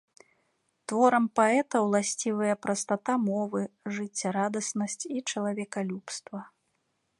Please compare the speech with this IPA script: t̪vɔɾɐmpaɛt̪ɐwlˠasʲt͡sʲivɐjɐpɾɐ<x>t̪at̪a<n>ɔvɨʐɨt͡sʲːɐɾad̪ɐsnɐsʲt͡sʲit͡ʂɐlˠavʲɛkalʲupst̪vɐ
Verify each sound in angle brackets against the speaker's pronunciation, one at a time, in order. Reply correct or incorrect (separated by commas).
incorrect, incorrect